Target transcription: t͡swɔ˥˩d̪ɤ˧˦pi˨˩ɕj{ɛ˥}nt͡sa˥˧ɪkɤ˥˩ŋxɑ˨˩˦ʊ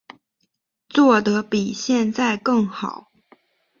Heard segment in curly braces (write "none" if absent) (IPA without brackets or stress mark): ɛ˥˧